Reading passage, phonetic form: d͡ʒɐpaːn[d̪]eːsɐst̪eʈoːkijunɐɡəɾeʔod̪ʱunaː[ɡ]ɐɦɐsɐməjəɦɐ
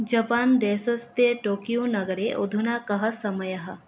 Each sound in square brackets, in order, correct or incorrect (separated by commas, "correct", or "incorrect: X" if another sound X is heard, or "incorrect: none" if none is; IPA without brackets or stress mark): correct, incorrect: k